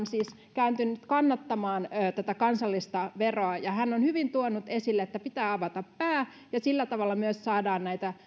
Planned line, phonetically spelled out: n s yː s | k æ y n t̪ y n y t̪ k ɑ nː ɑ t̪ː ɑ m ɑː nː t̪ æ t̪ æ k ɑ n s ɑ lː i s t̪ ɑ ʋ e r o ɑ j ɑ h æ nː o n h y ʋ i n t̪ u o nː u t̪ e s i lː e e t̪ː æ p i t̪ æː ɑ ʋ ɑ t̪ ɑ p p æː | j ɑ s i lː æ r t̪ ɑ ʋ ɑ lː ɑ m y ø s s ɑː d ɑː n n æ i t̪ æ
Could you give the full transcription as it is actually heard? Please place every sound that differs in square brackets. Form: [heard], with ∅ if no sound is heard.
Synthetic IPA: n s [iː] s | k æ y n t̪ y n y t̪ k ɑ nː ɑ t̪ː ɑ m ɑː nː t̪ æ t̪ æ k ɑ n s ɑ lː i s t̪ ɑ ʋ e r o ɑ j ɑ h æ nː o n h y ʋ i n t̪ u o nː u t̪ e s i lː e e t̪ː æ p i t̪ æː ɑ ʋ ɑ t̪ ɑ p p æː | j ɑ s i lː æ [∅] t̪ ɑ ʋ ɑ lː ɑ m y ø s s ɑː d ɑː n n æ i t̪ æ